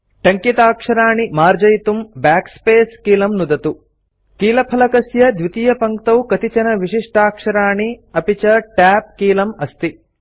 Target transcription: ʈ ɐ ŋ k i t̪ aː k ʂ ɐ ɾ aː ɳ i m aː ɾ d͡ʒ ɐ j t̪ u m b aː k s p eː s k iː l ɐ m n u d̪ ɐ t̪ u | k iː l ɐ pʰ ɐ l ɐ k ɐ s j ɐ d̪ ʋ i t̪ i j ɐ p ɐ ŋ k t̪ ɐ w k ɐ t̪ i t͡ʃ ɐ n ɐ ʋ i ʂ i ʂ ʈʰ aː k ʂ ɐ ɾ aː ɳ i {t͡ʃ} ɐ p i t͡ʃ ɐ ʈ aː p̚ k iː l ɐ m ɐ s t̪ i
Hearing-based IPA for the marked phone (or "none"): none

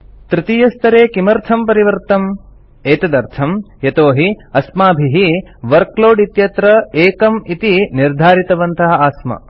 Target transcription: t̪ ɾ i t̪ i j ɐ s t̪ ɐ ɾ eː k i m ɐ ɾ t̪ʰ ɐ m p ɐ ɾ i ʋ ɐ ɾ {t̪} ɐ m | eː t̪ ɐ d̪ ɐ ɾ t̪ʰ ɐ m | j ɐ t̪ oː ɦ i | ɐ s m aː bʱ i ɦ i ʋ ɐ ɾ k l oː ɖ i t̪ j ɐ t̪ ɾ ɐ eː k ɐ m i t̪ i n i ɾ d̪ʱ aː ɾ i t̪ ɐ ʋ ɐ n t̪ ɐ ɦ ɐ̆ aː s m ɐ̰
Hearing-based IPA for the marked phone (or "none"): t̪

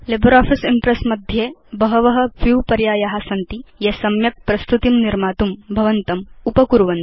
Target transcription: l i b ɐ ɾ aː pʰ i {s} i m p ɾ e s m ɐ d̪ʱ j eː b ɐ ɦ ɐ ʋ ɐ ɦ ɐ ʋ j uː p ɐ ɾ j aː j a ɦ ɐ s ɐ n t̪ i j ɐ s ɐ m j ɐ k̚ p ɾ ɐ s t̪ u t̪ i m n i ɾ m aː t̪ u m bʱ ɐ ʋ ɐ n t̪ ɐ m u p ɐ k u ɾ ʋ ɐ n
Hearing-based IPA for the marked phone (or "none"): s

